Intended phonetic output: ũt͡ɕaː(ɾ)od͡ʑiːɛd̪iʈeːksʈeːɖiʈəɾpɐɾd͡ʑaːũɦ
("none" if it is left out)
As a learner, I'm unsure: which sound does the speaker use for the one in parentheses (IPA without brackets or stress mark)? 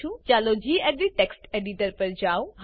l